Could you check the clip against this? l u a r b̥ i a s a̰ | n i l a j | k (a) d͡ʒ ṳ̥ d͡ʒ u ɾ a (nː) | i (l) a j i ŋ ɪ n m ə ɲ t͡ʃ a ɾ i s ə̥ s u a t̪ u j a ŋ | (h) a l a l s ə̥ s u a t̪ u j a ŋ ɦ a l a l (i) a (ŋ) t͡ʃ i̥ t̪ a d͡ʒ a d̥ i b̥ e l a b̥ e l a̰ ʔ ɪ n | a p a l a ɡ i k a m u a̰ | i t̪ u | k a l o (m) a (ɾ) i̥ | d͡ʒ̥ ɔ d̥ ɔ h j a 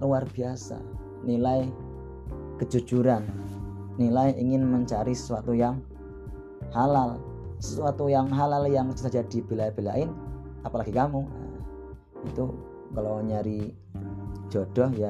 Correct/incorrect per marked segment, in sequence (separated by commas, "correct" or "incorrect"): incorrect, correct, correct, correct, incorrect, correct, incorrect, correct